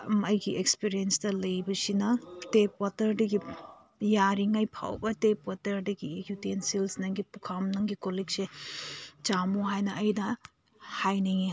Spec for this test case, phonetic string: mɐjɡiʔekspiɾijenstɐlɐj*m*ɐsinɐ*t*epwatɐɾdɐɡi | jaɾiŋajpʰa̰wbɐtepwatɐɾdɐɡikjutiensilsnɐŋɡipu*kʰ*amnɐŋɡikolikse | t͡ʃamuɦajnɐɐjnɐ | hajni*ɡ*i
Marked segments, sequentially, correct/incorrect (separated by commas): incorrect, correct, correct, incorrect